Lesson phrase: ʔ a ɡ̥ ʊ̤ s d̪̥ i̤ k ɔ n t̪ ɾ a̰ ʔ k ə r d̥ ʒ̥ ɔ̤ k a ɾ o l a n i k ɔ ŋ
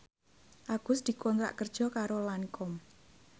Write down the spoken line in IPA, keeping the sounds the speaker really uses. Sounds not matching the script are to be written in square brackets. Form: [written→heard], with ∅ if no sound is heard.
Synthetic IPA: ʔ a ɡ̥ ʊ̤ s d̪̥ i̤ k ɔ n t̪ ɾ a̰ ʔ k ə r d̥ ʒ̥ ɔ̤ k a ɾ o l a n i k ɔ [ŋ→m]